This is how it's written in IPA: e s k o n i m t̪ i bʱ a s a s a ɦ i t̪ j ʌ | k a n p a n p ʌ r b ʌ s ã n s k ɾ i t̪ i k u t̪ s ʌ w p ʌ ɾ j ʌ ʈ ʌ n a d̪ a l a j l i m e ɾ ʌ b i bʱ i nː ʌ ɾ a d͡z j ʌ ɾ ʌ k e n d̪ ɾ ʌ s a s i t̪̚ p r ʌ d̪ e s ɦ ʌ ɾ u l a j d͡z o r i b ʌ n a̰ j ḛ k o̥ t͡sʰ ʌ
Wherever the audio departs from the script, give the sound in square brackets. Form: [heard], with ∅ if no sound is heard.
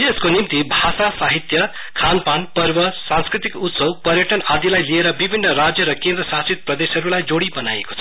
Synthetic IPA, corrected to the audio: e s k o n i m t̪ i bʱ a s a s a ɦ i t̪ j ʌ | [kʰ] a n p a n p ʌ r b ʌ s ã n s k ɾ i t̪ i k u t̪ s ʌ w p ʌ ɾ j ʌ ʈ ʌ n a d̪ [i] l a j l i [∅] e ɾ ʌ b i bʱ i nː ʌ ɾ a d͡z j ʌ ɾ ʌ k e n d̪ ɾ ʌ s a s i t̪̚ p r ʌ d̪ e s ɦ ʌ ɾ u l a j d͡z o [ɽ] i b ʌ n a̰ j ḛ k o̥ t͡sʰ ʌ